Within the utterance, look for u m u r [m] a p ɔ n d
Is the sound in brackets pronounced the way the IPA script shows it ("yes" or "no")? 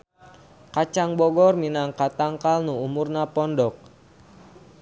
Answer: no